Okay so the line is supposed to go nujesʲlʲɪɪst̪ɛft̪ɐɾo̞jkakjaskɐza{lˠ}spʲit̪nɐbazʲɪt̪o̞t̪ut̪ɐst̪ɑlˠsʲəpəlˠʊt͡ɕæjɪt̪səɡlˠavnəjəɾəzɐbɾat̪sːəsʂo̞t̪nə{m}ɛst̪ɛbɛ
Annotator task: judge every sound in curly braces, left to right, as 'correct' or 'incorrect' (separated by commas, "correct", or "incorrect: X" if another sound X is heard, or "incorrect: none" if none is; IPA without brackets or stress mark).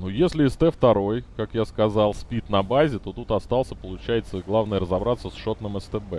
correct, correct